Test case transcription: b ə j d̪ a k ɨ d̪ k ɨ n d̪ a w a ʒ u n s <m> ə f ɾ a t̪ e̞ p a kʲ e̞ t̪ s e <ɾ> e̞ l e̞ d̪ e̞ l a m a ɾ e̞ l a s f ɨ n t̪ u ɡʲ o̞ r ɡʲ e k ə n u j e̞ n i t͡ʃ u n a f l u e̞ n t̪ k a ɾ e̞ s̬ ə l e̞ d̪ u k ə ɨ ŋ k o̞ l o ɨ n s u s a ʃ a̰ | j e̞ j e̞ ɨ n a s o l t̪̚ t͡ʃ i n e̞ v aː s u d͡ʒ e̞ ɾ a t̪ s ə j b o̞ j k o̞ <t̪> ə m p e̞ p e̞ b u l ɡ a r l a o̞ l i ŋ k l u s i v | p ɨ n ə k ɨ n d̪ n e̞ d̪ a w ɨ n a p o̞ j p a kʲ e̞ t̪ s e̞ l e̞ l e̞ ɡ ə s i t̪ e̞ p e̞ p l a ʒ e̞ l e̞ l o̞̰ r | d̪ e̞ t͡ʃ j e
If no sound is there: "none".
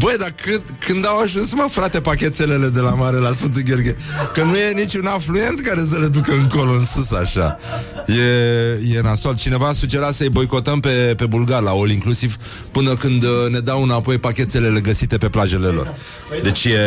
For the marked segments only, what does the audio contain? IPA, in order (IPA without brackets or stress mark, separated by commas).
m, l, t̪